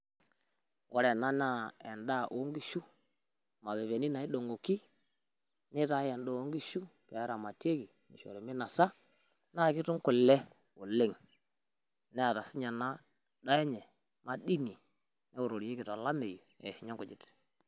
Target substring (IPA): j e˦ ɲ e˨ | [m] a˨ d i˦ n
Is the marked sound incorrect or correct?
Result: correct